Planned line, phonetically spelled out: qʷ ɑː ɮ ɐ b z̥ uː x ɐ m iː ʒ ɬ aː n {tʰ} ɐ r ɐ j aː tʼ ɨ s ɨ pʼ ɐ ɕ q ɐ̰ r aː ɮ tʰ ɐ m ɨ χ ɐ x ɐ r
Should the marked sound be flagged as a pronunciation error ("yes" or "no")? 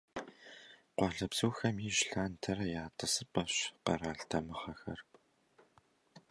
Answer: no